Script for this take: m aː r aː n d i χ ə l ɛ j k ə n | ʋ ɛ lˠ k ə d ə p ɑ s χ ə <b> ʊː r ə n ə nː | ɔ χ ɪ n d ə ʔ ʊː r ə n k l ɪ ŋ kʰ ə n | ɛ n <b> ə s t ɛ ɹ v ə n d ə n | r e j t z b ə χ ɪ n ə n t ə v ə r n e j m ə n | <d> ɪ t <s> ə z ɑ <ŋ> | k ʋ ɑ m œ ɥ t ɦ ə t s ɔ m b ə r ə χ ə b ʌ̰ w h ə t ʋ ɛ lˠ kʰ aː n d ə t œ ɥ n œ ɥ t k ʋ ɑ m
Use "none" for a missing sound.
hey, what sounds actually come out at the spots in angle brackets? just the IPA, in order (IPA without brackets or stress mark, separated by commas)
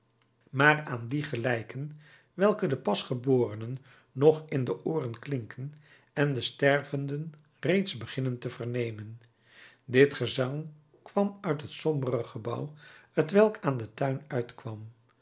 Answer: b, d, d, χ, ŋ